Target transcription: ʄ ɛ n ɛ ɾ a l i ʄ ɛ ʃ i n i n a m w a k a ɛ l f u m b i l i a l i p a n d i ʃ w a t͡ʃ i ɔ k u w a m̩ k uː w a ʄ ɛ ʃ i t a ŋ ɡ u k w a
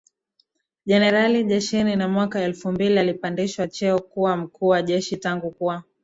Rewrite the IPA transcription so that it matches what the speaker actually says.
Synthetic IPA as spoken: ʄ ɛ n ɛ ɾ a l i ʄ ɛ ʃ i n i n a m w a k a ɛ l f u m b i l i a l i p a n d i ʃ w a t͡ʃ ɛ ɔ k u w a m̩ k uː w a ʄ ɛ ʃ i t a ŋ ɡ u k u a

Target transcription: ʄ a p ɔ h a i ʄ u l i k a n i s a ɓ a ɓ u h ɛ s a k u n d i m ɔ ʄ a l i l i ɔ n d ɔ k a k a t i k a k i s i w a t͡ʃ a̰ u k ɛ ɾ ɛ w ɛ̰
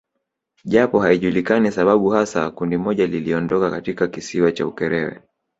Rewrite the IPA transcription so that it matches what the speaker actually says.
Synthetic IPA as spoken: ʄ a p ɔ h a i ʄ u l i k a n i s a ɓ a ɓ u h a s a k u n d i m ɔ ʄ a l i l i ɔ n d ɔ k a k a t i k a k i s i w a t͡ʃ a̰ u k ɛ ɾ ɛ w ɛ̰

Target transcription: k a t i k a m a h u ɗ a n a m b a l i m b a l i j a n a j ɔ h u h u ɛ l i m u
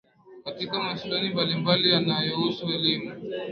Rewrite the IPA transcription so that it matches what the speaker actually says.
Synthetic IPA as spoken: k a t i k a m a s u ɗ a n i m b a l i m b a l i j a n a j ɔ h u s u ɛ l i m u

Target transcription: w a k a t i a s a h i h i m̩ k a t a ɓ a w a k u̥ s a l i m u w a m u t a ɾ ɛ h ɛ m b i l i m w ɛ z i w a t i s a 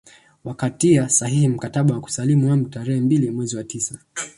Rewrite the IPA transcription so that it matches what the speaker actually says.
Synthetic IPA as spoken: w a k a t i a s a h i h i m̩ k a t a ɓ a w a k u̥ s a l i m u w a m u t a ɾ ɛ h ɛ m b i l i m w ɛ z i w a t i s a

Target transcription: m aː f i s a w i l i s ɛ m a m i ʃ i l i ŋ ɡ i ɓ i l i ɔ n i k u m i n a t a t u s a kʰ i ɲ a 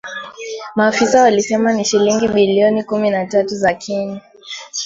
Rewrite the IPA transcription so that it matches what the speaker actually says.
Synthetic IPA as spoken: m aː f i s a w a l i s ɛ m a n i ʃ i l i ŋ ɡ i ɓ i l i ɔ n i k u m i n a t a t u z a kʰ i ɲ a

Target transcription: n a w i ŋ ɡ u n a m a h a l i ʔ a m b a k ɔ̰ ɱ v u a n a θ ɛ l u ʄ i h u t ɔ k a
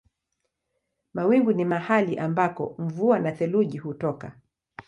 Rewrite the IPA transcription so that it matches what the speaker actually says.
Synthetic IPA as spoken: m a w i ŋ ɡ u n i m a h a l i ʔ a m b a k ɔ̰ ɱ v u a n a θ ɛ l u ʄ i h u t ɔ k a

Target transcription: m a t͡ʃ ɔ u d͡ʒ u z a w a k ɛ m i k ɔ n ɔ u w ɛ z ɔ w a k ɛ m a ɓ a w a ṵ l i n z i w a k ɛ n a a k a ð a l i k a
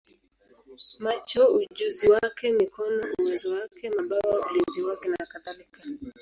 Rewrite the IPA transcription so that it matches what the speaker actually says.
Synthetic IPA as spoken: m a t͡ʃ ɔ u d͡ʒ u z i w a k ɛ m i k ɔ n ɔ u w ɛ z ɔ w a k ɛ m a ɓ a w a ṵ l i n z i w a k ɛ n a a k a ð a l i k a

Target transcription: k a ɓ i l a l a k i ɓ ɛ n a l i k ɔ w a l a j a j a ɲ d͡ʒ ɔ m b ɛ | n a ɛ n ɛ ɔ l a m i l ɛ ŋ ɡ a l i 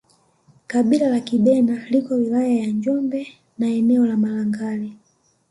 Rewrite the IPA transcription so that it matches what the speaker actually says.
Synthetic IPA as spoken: k a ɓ i l a l a k i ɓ ɛ n a l i k ɔ w i l a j a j a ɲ d͡ʒ ɔ m b ɛ | n a ɛ n ɛ ɔ l a m a l a ŋ ɡ a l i

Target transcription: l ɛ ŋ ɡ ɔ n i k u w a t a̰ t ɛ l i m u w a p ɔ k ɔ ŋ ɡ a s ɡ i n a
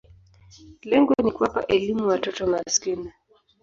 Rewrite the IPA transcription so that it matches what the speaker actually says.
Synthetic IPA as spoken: l ɛ ŋ ɡ ɔ n i k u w a p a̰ ʔ ɛ l i m u w a t ɔ t ɔ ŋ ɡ a s k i n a

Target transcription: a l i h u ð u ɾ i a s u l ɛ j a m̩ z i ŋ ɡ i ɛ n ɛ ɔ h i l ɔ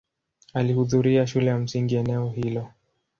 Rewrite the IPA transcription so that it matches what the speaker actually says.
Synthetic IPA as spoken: a l i h u ð u ɾ i a ʃ u l ɛ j a m̩ s i ŋ ɡ i ɛ n ɛ ɔ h i l ɔ

